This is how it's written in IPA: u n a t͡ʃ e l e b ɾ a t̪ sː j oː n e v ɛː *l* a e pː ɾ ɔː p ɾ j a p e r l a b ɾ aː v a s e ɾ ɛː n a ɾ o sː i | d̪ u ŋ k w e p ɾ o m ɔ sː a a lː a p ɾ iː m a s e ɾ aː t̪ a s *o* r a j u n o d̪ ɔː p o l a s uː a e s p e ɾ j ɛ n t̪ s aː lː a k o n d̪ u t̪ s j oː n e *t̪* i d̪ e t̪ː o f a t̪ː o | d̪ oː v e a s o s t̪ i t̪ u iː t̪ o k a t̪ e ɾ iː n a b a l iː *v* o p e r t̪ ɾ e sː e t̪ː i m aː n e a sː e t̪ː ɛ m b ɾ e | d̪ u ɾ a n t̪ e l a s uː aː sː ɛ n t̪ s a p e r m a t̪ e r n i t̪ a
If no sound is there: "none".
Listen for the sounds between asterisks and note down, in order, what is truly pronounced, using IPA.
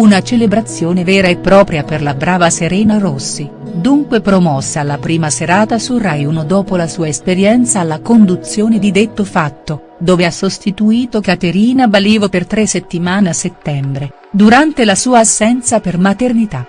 ɾ, u, d̪, v

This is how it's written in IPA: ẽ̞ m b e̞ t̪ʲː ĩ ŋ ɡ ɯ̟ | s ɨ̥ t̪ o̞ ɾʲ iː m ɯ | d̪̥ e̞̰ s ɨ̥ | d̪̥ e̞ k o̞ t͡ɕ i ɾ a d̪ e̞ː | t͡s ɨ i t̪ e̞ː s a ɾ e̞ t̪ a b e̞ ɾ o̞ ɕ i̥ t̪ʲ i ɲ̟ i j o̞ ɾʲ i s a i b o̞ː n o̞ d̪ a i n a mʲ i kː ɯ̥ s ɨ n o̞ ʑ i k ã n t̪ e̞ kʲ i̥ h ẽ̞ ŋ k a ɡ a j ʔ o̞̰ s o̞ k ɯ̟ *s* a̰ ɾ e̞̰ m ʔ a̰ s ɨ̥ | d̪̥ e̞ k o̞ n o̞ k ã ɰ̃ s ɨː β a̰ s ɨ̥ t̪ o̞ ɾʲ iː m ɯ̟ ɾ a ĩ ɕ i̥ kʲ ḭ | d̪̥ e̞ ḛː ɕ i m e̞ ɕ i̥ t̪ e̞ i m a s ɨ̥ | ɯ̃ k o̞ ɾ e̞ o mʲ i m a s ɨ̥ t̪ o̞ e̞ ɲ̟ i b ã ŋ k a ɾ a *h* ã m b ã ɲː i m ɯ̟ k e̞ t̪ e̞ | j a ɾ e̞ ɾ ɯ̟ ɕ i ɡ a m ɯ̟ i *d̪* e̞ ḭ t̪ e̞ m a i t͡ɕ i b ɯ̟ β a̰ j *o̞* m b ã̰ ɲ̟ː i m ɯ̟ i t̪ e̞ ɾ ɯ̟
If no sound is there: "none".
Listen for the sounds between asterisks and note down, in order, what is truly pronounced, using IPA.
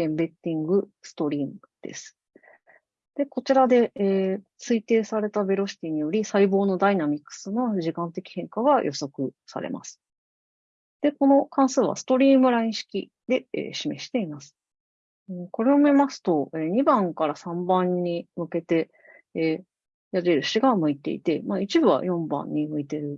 s, s, t̪, õ̞

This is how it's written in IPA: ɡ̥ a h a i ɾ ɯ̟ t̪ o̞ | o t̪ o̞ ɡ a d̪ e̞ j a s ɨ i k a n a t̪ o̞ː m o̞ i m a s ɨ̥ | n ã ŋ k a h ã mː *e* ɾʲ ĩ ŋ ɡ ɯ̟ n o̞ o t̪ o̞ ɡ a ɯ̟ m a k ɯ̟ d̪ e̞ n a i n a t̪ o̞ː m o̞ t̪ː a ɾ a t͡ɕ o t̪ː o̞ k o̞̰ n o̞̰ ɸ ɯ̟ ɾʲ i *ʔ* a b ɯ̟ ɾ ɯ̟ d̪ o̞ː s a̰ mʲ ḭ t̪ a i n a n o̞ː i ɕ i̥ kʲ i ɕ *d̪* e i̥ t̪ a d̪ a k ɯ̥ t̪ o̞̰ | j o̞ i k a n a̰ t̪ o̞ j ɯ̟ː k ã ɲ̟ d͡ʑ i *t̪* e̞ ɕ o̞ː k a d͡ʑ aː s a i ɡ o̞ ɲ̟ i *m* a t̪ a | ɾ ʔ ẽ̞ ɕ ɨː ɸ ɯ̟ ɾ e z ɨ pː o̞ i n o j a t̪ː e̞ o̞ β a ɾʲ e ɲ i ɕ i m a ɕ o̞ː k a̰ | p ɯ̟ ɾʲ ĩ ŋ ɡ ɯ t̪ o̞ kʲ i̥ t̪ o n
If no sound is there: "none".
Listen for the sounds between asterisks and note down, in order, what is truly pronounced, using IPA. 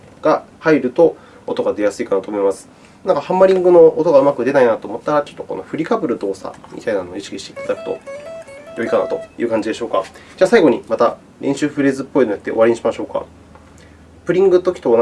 a, k, t̪, d̪, m

